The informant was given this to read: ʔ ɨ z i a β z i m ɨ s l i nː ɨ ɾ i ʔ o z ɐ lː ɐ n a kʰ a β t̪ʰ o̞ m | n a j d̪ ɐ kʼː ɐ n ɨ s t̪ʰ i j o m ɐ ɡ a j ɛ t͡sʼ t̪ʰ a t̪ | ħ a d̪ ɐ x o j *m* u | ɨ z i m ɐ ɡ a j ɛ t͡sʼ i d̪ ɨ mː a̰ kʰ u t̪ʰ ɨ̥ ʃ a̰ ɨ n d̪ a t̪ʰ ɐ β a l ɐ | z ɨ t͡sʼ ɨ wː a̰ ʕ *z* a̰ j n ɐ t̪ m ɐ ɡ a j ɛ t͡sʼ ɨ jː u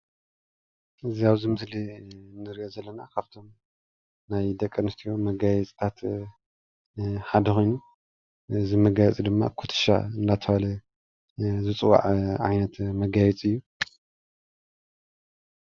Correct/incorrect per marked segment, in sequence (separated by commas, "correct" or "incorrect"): incorrect, incorrect